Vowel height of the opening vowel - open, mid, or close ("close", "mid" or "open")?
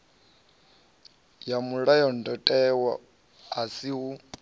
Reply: open